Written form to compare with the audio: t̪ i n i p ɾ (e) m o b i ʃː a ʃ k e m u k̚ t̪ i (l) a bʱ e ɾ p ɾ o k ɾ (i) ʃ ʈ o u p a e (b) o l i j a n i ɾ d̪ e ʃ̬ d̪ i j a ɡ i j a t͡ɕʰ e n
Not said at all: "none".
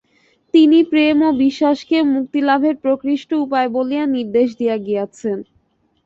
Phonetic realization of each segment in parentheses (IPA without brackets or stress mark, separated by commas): e, l, i, b